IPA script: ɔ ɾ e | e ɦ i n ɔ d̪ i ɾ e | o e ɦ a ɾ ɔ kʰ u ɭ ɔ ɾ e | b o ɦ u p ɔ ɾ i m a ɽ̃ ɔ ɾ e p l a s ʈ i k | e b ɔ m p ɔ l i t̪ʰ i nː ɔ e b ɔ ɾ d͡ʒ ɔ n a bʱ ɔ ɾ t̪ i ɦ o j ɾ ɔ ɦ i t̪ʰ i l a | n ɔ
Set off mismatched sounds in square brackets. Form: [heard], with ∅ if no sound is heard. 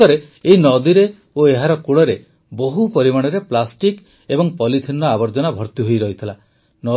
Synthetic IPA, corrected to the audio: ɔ ɾ e | e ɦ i n ɔ d̪ i ɾ e | o e ɦ a ɾ ɔ [k] u ɭ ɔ ɾ e | b o ɦ u p ɔ ɾ i m a ɽ̃ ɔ ɾ e p l a s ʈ i k | e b ɔ [ŋ] p ɔ l i t̪ʰ i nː ɔ [a] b ɔ ɾ d͡ʒ ɔ n a bʱ ɔ ɾ t̪ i ɦ o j ɾ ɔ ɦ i t̪ʰ i l a | n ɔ